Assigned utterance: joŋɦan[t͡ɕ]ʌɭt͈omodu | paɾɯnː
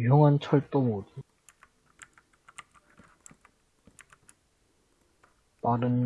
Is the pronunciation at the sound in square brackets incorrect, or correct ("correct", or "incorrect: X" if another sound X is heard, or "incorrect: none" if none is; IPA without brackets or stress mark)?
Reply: incorrect: t͡ɕʰ